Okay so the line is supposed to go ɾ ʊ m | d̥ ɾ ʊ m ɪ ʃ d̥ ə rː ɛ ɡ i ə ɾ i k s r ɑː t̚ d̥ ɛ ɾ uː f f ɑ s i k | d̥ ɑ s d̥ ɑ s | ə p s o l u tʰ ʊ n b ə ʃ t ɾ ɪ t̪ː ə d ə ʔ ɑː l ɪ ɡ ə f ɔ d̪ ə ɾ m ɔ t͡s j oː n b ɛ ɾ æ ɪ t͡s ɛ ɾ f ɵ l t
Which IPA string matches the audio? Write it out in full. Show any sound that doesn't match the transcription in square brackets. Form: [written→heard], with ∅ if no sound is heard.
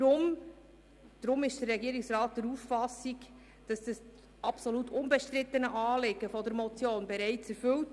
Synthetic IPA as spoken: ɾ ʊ m | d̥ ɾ ʊ m ɪ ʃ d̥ ə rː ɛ ɡ i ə ɾ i k s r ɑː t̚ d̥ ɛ ɾ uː f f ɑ s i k | d̥ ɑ s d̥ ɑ s | [ə→ɑ] p s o l u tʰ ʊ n b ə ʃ t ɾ ɪ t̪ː ə [d→n] ə ʔ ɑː l ɪ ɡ ə f ɔ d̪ ə ɾ m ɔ t͡s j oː n b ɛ ɾ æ ɪ t͡s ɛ ɾ f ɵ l t